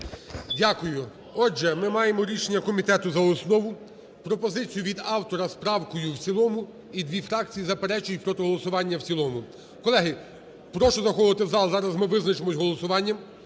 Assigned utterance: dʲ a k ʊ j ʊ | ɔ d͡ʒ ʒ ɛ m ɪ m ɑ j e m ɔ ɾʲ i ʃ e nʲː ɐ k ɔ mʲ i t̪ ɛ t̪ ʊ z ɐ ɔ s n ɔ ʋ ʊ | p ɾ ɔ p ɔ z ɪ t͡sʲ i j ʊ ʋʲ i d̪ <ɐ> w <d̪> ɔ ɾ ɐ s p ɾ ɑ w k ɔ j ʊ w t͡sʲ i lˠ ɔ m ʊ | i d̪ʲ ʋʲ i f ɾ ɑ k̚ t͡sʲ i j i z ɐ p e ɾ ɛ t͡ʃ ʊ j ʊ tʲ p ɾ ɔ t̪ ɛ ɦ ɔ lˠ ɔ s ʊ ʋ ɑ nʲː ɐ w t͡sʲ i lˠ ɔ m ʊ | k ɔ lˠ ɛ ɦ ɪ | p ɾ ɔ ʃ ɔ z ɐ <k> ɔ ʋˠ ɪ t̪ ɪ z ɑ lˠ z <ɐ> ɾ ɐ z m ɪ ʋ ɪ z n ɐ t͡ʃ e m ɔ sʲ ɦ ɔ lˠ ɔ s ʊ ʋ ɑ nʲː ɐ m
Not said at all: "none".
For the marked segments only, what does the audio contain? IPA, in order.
ɑ, t̪, x, ɑ

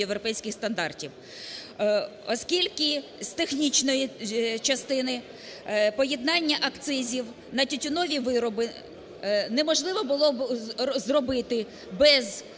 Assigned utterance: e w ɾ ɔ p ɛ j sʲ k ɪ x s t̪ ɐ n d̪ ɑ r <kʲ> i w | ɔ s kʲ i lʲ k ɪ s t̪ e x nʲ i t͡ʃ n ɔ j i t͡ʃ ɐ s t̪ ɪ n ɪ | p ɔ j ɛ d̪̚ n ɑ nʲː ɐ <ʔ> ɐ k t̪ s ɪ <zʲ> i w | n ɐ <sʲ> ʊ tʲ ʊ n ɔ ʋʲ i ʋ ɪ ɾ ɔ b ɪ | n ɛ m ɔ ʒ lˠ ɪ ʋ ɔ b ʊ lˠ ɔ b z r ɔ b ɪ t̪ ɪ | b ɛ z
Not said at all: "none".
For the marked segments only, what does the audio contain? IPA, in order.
tʲ, ʔ, zʲ, tʲ

